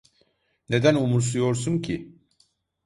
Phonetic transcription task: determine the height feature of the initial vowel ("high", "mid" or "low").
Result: mid